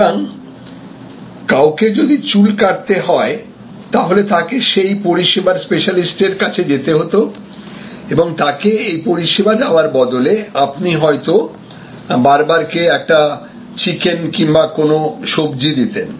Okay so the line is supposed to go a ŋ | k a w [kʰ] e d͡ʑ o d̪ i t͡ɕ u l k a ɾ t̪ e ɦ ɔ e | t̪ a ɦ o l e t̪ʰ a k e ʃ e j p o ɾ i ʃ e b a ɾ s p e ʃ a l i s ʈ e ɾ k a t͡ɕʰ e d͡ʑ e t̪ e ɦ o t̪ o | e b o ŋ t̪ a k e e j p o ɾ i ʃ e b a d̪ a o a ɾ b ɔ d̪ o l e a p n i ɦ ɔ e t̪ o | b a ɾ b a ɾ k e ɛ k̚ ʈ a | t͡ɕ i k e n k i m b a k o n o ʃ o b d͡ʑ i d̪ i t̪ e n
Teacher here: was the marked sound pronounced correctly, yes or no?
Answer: no